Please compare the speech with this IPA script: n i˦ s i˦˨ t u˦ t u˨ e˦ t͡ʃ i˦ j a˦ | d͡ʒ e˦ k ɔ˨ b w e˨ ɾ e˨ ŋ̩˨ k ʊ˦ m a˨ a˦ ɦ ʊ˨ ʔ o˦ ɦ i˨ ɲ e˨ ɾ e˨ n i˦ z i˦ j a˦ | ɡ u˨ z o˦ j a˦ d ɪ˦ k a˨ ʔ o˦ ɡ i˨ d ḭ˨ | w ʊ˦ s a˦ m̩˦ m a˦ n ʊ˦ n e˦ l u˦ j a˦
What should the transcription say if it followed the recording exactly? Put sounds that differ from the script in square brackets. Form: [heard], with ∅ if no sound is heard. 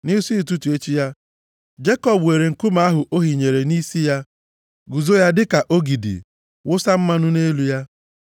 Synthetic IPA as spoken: n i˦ s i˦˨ t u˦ t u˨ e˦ t͡ʃ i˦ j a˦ | d͡ʒ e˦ k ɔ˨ b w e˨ ɾ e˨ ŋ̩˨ k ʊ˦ m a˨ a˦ ɦ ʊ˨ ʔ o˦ ɦ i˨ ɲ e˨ ɾ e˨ n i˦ [s] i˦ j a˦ | ɡ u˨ z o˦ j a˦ d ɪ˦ k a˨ ʔ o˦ ɡ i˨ d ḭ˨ | w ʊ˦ s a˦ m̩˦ m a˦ n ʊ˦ n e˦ l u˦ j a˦